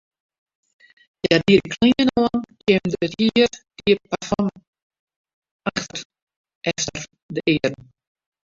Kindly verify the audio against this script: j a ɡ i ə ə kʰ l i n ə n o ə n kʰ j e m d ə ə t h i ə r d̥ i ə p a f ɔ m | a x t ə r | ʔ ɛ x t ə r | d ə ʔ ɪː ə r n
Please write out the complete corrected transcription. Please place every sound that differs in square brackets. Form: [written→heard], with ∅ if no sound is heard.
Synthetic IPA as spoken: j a [ɡ→d] i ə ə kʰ l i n ə n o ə n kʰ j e m d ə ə t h i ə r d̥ i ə p a f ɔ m | a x t ə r | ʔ ɛ [x→f] t ə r | d ə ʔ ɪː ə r n